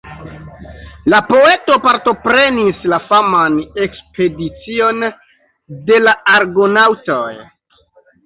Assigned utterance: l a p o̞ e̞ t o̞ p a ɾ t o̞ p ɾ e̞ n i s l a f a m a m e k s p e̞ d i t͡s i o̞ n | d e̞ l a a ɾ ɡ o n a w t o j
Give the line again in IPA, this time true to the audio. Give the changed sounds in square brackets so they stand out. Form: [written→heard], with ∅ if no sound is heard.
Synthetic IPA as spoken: l a p o̞ e̞ t o̞ p a ɾ t o̞ p ɾ e̞ n i s l a f a m a [m→n] e k s p e̞ d i t͡s i o̞ n | d e̞ l a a ɾ ɡ o n a w t o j